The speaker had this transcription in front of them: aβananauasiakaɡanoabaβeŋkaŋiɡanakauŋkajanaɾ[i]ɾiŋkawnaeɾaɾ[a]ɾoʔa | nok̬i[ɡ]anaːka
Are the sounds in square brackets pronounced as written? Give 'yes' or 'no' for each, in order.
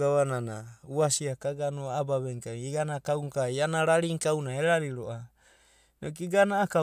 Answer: no, no, yes

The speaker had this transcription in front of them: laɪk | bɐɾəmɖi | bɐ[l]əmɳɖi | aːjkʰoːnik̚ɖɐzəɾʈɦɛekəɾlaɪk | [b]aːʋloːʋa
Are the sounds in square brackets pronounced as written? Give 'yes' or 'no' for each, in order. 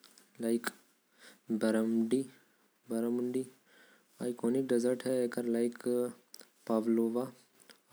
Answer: no, no

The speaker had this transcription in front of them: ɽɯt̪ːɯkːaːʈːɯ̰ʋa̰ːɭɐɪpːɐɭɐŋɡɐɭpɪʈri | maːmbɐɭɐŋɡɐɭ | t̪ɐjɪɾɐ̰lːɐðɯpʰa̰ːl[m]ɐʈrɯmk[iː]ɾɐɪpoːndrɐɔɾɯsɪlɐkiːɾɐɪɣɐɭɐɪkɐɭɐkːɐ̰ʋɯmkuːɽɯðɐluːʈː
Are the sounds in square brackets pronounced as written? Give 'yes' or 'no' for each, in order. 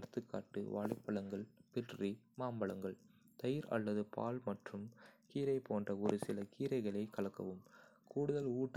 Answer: yes, yes

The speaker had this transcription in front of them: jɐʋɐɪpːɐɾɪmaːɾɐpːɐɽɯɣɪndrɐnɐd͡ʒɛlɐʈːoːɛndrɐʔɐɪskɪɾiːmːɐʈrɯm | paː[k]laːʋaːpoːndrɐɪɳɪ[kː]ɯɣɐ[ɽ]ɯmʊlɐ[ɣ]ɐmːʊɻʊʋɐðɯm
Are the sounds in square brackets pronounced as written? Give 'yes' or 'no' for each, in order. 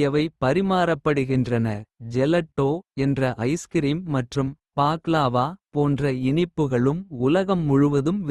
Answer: yes, no, no, yes

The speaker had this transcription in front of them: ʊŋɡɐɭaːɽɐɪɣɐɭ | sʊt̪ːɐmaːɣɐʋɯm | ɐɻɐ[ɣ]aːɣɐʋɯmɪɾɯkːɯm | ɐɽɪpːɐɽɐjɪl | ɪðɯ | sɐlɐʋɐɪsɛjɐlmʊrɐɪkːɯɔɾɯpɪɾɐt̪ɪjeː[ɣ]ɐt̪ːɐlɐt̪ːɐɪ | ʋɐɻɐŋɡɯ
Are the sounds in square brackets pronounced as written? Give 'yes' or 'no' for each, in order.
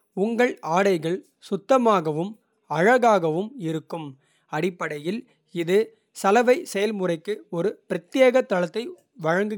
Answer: yes, yes

